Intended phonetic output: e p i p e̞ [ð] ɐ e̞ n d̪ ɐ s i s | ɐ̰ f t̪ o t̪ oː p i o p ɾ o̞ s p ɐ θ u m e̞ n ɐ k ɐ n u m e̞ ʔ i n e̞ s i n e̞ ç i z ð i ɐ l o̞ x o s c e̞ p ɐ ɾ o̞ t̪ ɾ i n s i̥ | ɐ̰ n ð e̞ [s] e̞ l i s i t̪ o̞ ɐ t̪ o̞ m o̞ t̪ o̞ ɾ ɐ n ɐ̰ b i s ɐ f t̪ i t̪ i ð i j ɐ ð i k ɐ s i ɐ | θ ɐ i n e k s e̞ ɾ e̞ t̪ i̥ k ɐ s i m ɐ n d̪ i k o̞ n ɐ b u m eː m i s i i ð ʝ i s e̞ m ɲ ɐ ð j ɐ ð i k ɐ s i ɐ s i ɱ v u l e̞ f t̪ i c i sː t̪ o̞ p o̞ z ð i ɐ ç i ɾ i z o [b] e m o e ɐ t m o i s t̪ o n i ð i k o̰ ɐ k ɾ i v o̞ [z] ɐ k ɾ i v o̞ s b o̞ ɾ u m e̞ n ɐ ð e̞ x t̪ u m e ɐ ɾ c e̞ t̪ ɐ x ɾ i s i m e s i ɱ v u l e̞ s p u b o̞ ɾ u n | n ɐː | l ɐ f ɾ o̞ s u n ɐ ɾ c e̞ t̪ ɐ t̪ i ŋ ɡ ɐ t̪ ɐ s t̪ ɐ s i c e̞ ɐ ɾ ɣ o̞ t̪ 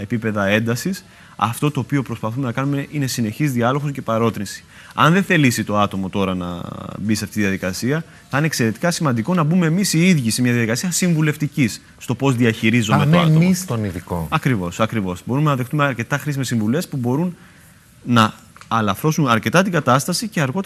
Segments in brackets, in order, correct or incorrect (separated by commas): correct, incorrect, incorrect, incorrect